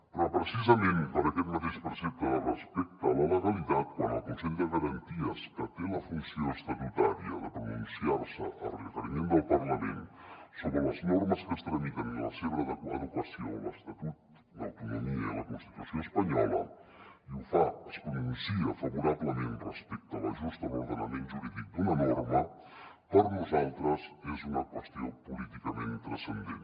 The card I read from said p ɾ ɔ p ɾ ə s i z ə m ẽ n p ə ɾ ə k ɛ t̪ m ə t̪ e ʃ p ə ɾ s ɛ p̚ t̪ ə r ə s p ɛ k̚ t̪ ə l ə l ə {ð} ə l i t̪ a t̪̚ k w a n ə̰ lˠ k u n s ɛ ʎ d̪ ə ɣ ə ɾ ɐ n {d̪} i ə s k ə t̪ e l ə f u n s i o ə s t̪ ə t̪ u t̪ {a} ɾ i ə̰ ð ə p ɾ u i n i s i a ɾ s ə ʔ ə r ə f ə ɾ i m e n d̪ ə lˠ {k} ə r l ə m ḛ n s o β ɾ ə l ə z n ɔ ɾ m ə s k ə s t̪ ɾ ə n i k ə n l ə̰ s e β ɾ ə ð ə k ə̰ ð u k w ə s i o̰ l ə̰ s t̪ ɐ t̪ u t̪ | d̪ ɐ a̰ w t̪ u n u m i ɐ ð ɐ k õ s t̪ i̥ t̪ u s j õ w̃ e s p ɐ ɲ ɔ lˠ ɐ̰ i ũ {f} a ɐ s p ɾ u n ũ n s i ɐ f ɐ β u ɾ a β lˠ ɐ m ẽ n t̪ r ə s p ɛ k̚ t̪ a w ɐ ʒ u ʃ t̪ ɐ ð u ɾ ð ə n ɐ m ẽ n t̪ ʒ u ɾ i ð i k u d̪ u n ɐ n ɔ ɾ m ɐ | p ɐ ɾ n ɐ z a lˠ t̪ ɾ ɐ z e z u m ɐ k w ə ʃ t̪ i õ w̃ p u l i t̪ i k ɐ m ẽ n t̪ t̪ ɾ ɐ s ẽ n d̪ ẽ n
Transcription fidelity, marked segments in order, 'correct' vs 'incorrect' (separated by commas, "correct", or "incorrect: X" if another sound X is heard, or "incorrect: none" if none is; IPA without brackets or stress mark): incorrect: ɣ, incorrect: t̪, correct, incorrect: p, correct